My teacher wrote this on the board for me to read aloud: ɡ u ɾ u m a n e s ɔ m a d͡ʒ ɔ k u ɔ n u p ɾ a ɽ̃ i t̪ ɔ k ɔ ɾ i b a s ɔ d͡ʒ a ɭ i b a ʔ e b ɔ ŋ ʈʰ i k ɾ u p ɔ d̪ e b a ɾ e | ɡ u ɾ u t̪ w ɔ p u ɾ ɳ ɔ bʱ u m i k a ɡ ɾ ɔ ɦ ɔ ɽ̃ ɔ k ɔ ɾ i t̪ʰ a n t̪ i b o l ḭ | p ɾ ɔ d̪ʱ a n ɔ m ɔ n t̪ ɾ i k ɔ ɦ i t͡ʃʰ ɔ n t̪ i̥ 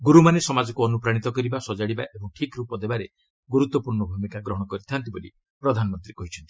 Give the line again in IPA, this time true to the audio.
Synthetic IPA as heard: ɡ u ɾ u m a n e s ɔ m a d͡ʒ ɔ k u ɔ n u p ɾ a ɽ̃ i t̪ ɔ k ɔ ɾ i b a s ɔ d͡ʒ a ɽ i b a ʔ e b ɔ ŋ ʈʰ i k ɾ u p ɔ d̪ e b a ɾ e | ɡ u ɾ u t̪ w ɔ p u ɾ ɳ ɔ bʱ u m i k a ɡ ɾ ɔ ɦ ɔ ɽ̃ ɔ k ɔ ɾ i t̪ʰ a n t̪ i b o l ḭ | p ɾ ɔ d̪ʱ a n ɔ m ɔ n t̪ ɾ i k ɔ ɦ i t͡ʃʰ ɔ n t̪ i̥

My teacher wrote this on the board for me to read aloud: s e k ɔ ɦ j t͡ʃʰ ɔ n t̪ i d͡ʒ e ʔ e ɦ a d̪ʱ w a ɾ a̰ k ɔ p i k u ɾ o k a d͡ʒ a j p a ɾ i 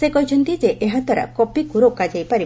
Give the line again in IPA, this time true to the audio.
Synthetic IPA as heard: s e k ɔ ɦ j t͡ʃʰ ɔ n t̪ i d͡ʒ e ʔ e ɦ a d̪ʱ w a ɾ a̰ k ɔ p i k u ɾ o k a d͡ʒ a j p a ɾ i

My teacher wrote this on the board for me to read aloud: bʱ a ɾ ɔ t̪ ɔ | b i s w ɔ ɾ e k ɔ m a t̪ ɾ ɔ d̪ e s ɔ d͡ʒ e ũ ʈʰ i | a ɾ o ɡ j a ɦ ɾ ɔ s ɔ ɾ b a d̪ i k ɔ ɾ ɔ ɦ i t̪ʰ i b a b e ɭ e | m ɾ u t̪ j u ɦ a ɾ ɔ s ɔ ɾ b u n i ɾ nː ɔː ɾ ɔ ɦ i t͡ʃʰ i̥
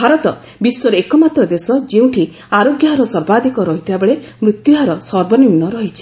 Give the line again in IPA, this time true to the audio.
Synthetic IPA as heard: bʱ a ɾ ɔ t̪ ɔ | b i s w ɔ ɾ e k ɔ m a t̪ ɾ ɔ d̪ e s ɔ d͡ʒ e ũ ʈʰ i | a ɾ o ɡ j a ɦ ɾ ɔ s ɔ ɾ b a d̪ i k ɔ ɾ ɔ ɦ i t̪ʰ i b a b e ɭ e | m ɾ u t̪ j u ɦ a ɾ ɔ s ɔ ɾ b ɔ n i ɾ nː ɔ ɾ ɔ ɦ i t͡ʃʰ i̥

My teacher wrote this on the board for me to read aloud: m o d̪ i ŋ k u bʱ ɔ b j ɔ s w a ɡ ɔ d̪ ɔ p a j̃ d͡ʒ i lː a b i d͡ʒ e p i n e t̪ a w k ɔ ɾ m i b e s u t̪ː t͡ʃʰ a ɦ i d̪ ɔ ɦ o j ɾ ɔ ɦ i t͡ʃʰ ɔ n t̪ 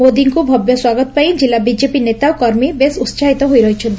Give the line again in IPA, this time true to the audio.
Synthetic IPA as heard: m o d̪ i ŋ k u bʱ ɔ b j ɔ s w a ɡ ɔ t̪ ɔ p a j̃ d͡ʒ i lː a b i d͡ʒ e p i n e t̪ a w k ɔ ɾ m i b e s u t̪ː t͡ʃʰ a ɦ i t̪ ɔ ɦ o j ɾ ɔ ɦ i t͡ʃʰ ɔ n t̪

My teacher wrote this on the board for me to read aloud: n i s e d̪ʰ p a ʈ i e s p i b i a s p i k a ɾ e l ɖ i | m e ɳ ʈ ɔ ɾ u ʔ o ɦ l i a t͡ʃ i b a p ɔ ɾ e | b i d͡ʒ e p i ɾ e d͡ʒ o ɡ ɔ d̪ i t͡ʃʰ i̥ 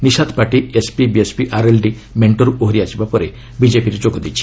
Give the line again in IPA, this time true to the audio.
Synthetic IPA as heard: n i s a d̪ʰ p a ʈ i e s p i b i e s p i ʔ a ɾ e l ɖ i | m e ɳ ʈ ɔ ɾ u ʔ o ɦ ɾ i a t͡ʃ i b a p ɔ ɾ e | b i d͡ʒ e p i ɾ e d͡ʒ o ɡ ɔ d̪ i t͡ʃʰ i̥

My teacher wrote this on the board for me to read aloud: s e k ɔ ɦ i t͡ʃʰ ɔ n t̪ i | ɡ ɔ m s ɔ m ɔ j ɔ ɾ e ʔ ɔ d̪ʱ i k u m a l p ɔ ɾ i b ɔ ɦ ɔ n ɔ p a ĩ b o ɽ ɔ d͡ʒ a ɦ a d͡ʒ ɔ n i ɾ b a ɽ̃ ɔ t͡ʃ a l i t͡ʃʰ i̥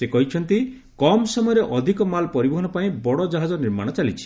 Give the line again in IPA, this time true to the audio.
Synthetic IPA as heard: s e k ɔ ɦ i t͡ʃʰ ɔ n t̪ i | k ɔ m s ɔ m ɔ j ɔ ɾ e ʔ ɔ d̪ʱ i k ɔ m a l p ɔ ɾ i b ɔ ɦ ɔ n ɔ p a ĩ b ɔ ɽ ɔ d͡ʒ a ɦ a d͡ʒ ɔ n i ɾ m a ɽ̃ ɔ t͡ʃ a l i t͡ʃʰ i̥

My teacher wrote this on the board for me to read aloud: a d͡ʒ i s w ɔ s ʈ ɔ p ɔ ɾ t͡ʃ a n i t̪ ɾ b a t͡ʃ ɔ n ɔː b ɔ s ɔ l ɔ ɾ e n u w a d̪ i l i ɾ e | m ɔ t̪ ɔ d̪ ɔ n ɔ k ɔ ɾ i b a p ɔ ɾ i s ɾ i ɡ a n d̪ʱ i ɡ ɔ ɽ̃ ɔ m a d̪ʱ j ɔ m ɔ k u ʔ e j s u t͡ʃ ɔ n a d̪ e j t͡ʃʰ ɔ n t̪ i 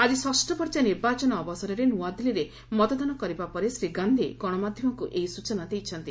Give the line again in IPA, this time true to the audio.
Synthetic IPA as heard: a d͡ʒ i s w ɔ s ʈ ɔ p ɔ ɾ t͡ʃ a n i ɾ b a t͡ʃ ɔ n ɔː b ɔ s ɔ ɾ ɔ ɾ e n u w a d̪ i l i ɾ e | m ɔ t̪ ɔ d̪ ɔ n ɔ k ɔ ɾ i b a p ɔ ɾ e s ɾ i ɡ a n d̪ʱ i ɡ ɔ ɽ̃ ɔ m a d̪ʱ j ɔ m ɔ k u ʔ e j s u t͡ʃ ɔ n a d̪ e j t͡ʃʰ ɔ n t̪ i

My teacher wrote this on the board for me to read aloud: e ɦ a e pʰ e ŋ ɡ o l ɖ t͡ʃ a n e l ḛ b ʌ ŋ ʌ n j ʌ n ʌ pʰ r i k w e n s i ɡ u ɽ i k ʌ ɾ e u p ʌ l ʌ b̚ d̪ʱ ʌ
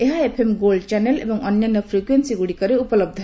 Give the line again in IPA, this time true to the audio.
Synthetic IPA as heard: e ɦ a e pʰ e m ɡ o l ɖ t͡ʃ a n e l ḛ b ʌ ŋ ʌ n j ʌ n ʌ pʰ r i k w e n s i ɡ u ɽ i k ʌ ɾ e u p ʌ l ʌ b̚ d̪ʱ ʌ

